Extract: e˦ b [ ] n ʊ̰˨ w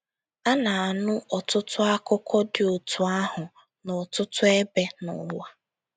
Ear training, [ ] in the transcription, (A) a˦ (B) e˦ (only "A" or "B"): B